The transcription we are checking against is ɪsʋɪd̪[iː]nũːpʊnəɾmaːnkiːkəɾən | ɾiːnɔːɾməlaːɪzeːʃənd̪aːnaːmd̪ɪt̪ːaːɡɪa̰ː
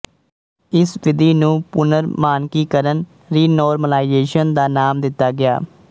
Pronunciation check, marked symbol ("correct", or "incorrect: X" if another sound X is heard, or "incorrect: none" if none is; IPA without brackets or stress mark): correct